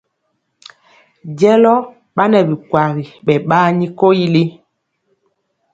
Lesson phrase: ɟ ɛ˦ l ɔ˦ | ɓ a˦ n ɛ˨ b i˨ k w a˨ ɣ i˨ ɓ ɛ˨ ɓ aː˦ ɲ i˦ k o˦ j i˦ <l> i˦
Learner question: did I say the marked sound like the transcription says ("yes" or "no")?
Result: yes